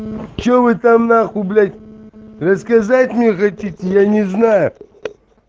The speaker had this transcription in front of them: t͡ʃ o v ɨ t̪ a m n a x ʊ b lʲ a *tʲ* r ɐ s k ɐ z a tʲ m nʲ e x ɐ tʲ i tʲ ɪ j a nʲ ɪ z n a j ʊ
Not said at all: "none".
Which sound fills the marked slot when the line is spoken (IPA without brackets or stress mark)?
tʲ